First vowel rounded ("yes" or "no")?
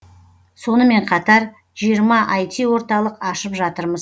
yes